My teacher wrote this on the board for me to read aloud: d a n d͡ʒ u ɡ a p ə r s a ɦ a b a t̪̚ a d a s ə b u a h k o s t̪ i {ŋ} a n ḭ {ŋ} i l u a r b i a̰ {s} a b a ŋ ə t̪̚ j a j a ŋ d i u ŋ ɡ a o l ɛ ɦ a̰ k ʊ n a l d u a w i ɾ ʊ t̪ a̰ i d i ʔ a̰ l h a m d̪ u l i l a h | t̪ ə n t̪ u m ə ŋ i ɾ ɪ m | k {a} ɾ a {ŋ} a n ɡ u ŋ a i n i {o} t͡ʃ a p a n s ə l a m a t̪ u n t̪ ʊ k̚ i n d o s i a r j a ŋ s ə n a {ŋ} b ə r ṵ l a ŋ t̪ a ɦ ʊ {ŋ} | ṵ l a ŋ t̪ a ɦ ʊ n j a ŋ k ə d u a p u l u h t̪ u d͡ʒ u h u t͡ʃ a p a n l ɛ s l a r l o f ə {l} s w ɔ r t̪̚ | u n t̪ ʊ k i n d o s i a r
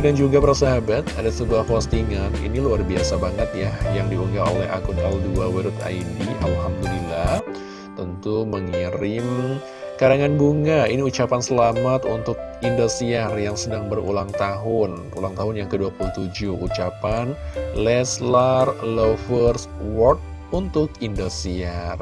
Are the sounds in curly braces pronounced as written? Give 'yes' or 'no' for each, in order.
yes, no, yes, yes, yes, no, yes, no, no

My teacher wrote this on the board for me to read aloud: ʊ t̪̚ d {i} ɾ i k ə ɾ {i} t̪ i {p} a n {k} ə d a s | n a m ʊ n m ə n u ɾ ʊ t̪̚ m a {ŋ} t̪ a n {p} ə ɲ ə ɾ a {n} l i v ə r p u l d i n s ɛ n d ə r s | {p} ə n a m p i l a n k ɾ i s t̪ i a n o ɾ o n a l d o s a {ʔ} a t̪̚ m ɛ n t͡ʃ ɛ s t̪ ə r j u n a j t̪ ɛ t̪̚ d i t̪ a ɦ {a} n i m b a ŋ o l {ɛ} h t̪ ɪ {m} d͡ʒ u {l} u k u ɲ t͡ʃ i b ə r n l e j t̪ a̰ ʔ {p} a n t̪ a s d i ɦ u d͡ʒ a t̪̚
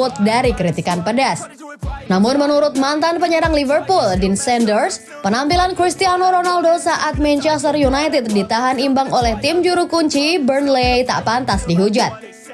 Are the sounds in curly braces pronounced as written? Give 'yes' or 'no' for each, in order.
no, yes, no, no, no, yes, no, yes, yes, yes, yes, yes, no, yes

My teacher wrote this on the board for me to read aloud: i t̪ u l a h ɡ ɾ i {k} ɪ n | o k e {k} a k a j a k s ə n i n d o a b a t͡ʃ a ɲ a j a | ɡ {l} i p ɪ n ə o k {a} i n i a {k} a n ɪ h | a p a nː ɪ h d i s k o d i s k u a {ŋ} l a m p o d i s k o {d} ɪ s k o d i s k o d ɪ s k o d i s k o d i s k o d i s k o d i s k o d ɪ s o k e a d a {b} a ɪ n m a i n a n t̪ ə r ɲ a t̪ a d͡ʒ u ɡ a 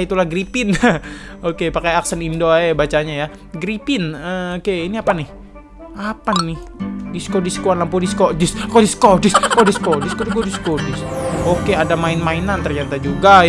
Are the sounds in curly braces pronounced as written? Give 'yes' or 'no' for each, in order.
no, no, no, no, no, no, yes, no

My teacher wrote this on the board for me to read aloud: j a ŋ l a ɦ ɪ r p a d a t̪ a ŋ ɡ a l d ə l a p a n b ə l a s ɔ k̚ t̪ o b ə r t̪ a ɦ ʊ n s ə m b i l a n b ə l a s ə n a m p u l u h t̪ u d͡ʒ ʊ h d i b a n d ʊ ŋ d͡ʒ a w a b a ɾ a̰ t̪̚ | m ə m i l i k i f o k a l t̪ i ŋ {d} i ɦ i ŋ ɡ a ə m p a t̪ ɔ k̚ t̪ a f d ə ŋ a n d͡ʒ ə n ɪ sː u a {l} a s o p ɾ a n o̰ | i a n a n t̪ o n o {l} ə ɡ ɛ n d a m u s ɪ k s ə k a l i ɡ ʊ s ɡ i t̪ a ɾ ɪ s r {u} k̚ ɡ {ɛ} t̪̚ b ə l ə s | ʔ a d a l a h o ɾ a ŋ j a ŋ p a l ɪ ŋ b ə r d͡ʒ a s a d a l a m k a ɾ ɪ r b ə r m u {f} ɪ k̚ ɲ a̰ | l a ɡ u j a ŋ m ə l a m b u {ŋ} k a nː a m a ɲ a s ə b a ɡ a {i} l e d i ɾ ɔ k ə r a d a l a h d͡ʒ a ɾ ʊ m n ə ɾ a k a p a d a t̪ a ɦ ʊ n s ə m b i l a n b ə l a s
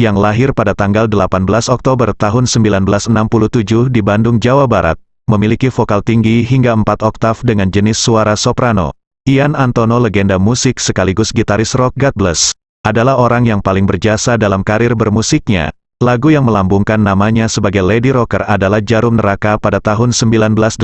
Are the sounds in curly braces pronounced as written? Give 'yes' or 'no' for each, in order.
no, no, yes, no, no, no, yes, no

